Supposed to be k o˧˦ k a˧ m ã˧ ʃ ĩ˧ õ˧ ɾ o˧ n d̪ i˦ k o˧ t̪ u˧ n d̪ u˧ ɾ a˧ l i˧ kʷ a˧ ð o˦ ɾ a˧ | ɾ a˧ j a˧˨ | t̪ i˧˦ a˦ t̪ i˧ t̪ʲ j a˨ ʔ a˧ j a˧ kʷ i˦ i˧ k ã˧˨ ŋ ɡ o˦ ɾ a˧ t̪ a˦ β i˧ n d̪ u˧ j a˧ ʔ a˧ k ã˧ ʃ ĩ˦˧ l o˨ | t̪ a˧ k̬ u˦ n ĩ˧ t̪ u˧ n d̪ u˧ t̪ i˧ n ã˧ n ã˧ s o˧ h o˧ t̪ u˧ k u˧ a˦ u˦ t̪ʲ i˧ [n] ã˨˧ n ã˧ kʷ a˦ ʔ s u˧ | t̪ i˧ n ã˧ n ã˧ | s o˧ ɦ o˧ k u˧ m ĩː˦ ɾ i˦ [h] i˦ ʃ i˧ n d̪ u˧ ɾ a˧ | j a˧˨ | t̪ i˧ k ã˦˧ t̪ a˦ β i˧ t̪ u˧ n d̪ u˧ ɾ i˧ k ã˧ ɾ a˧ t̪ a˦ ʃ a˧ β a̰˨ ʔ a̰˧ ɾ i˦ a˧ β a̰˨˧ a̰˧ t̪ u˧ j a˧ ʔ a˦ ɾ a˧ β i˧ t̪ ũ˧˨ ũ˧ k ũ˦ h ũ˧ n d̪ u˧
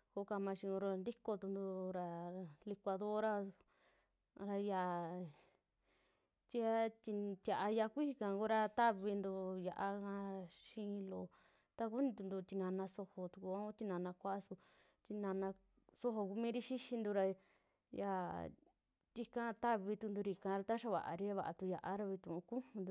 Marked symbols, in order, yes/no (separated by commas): yes, no